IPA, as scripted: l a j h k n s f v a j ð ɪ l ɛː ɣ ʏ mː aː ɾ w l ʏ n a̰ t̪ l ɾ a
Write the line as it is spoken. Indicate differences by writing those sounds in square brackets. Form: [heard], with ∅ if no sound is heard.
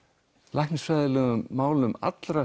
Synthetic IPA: l a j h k n s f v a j ð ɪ l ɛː ɣ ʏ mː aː [∅] w l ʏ [m] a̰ t̪ l ɾ a